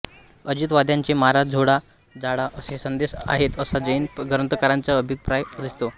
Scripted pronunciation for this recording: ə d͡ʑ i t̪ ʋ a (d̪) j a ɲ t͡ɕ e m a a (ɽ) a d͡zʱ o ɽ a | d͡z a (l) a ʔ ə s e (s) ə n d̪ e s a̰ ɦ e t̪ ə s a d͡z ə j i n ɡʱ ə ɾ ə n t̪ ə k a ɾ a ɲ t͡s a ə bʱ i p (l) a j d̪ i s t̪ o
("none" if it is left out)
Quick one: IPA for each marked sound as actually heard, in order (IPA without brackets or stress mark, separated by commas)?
d̪, ɾ, ɽ, s, ɾ